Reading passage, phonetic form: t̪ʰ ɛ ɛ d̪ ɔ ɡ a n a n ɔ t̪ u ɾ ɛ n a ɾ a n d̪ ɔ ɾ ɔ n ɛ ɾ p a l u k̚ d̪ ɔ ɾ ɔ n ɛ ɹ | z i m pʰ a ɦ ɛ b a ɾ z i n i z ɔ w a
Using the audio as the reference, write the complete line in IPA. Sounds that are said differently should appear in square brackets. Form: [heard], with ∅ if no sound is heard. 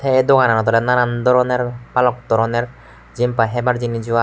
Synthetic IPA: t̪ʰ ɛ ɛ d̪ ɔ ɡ a n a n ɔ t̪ [ɔ] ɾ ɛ n a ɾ a n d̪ ɔ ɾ ɔ n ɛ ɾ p a l [ɔ] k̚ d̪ ɔ ɾ ɔ n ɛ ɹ | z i m [p] a ɦ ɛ b a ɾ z i n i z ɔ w a

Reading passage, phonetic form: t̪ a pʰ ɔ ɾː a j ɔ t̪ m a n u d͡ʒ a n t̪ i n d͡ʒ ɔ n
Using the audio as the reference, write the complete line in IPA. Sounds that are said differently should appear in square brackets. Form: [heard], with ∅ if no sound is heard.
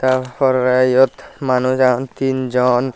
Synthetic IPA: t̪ a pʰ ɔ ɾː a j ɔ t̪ m a n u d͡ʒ a n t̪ i n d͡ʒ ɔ n

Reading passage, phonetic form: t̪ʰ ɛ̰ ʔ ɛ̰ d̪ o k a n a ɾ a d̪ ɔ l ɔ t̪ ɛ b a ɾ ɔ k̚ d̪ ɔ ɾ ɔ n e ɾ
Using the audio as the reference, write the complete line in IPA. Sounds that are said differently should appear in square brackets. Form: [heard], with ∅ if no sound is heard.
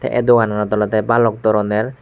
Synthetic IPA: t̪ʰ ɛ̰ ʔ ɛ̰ d̪ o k a n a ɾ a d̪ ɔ l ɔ t̪ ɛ b a [l] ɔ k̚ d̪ ɔ ɾ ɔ n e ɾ

